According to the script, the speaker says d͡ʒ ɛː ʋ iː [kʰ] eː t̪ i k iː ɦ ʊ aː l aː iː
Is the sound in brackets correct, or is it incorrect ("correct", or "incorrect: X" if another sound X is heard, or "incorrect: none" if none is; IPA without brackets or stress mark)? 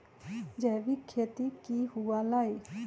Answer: correct